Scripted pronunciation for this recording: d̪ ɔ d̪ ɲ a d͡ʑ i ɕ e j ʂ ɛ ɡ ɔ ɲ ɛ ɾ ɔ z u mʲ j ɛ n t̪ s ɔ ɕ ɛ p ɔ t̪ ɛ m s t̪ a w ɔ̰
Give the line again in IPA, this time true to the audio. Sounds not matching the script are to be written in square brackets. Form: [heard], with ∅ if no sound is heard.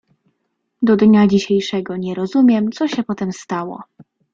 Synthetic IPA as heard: d̪ ɔ d̪ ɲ a d͡ʑ i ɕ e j ʂ ɛ ɡ ɔ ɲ ɛ ɾ ɔ z u mʲ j ɛ [m] t̪ s ɔ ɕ ɛ p ɔ t̪ ɛ m s t̪ a w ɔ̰